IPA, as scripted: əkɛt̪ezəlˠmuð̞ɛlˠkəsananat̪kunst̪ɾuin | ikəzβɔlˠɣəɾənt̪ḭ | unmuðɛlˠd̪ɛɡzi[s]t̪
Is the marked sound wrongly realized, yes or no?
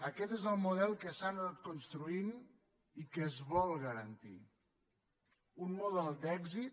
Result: yes